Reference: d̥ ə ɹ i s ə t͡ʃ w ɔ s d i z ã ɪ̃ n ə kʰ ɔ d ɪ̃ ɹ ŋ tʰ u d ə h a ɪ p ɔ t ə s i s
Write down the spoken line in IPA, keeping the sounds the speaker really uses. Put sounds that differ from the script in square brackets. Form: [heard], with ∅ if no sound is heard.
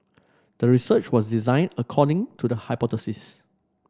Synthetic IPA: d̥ ə ɹ i s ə t͡ʃ w ɔ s d i z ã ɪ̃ n ə kʰ ɔ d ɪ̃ [∅] ŋ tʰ u d ə h a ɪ p ɔ t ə s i s